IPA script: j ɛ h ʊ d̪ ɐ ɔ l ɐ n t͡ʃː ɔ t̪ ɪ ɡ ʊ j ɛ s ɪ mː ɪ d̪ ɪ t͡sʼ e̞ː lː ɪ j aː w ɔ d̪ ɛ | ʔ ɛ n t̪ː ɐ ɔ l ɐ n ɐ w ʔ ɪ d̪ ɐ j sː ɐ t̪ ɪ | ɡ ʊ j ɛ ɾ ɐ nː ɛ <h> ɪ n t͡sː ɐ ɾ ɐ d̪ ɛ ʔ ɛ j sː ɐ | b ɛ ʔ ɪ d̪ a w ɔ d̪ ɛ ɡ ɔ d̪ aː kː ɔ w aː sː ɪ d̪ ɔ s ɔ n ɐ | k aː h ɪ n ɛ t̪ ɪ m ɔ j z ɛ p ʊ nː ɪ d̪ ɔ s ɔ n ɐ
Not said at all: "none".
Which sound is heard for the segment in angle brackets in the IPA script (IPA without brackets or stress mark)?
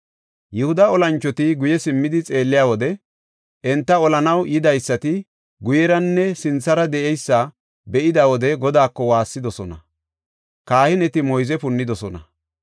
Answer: s